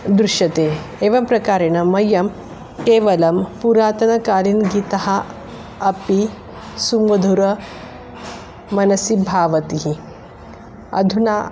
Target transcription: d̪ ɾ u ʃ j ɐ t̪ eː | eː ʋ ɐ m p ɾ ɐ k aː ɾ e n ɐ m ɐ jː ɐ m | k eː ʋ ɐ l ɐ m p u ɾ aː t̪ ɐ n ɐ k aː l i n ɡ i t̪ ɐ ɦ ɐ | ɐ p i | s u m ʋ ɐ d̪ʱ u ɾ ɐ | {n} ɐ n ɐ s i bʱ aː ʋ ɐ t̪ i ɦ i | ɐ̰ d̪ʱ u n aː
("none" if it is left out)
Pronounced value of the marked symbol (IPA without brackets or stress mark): m